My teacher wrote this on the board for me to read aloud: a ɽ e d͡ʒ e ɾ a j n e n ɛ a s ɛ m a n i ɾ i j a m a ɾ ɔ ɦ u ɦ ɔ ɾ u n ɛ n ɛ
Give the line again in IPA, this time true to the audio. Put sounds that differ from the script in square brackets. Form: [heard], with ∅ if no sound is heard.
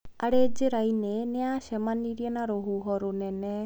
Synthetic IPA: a ɽ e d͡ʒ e ɾ a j n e n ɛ a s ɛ m a n i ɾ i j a [n] a ɾ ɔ ɦ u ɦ ɔ ɾ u n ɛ n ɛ

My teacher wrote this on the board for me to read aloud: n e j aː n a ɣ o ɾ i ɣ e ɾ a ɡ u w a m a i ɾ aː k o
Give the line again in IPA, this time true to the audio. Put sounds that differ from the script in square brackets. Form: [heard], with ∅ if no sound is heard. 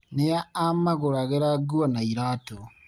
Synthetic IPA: n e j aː [m] a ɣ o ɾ [a] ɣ e ɾ a ɡ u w a [n] a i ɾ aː [t] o

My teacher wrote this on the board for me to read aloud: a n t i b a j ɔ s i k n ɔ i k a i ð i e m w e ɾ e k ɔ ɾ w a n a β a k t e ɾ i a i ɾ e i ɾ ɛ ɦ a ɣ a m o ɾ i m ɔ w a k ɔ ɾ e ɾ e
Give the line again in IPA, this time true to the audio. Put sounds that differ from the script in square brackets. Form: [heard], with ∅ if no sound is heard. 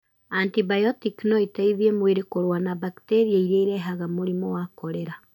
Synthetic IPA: a n t i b a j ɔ [t] i k n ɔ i [t] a i ð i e m w e ɾ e k [o] ɾ w a n a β a k t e ɾ i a i ɾ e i ɾ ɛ ɦ a ɣ a m o ɾ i m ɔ w a k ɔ ɾ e ɾ [a]

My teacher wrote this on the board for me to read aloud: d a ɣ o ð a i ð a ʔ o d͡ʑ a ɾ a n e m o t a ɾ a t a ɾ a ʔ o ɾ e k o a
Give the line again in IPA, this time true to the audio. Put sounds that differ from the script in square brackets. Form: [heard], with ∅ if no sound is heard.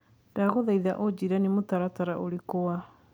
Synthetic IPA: d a ɣ o ð a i ð a ʔ o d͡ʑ [i] ɾ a n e m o t a ɾ a t a ɾ a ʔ o ɾ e k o a

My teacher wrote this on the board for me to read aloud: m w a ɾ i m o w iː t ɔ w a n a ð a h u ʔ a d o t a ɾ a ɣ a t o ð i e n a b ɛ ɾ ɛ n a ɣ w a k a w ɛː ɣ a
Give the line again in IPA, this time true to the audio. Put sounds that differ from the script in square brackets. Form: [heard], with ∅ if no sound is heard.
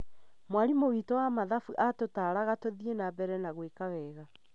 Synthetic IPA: m w a ɾ i m o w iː t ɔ w a [m] a ð a [f] u ʔ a [t] o t a ɾ a ɣ a t o ð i e n a b ɛ ɾ ɛ n a ɣ w [e] k a w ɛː ɣ a

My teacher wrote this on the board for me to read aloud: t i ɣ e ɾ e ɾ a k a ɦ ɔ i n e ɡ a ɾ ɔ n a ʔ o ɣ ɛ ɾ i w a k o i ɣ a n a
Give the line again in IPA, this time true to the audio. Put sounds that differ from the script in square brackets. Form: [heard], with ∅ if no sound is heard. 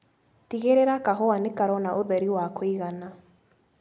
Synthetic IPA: t i ɣ e ɾ e ɾ a k a ɦ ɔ [a] n e [k] a ɾ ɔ n a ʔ o [ð] ɛ ɾ i w a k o i ɣ a n a

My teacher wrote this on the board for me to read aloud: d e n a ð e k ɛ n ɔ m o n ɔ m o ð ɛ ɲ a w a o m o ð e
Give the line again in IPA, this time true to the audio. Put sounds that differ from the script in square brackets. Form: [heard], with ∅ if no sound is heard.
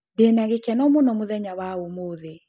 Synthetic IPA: d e n a [ɣ] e k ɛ n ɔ m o n ɔ m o ð ɛ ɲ a w a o m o ð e

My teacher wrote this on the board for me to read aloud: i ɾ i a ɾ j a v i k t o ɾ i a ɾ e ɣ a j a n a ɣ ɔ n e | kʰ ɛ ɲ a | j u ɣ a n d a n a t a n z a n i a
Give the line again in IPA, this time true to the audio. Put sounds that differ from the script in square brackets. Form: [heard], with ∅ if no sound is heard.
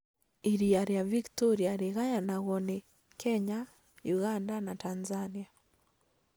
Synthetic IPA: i ɾ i a ɾ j a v i k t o ɾ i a ɾ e ɣ a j a n a ɣ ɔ n e | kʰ ɛ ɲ a | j u ɣ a n d a n a t a n z a n i a

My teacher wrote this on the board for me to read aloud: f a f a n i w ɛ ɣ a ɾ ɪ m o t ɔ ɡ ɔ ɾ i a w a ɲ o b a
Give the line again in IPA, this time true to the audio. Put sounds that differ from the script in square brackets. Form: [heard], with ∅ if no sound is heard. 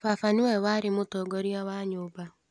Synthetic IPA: f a f a n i w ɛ [w] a ɾ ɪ m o t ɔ ɡ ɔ ɾ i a w a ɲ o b a

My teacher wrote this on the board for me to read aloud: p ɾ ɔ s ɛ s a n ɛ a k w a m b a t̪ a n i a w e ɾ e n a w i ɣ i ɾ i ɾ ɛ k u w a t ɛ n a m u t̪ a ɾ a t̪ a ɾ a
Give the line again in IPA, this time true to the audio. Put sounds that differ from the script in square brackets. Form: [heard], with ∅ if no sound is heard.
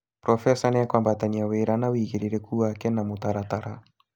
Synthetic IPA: p ɾ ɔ [f] ɛ s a n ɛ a k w a m b a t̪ a n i a w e ɾ [a] n a w i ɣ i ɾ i ɾ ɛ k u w a [k] ɛ n a m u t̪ a ɾ a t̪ a ɾ a

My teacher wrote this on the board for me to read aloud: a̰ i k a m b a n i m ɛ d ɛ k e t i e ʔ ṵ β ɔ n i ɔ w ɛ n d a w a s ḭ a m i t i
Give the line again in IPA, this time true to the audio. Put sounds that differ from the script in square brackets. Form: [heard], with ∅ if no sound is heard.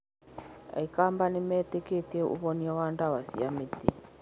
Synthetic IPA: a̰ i k a m b a n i m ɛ [t] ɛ k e t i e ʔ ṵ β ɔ n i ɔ w [a] n d a w a s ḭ a m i t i

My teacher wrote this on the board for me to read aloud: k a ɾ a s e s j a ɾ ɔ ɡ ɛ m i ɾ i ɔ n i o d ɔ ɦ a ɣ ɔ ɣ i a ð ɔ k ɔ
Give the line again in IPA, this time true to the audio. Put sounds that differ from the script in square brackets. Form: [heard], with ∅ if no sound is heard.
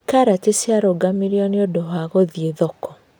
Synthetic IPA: k a ɾ a [t] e s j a ɾ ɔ ɡ [a] m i ɾ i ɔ n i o d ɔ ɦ a ɣ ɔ [ð] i [e] ð ɔ k ɔ

